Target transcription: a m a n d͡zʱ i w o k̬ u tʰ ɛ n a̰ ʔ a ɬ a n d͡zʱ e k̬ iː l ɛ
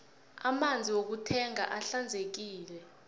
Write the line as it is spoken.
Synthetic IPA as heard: a m a n d͡zʱ i w o k̬ u tʰ ɛ ŋ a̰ ʔ a ɬ a n d͡zʱ e k̬ iː l ɛ